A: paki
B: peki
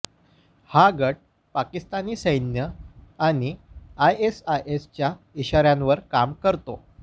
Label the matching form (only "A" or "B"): A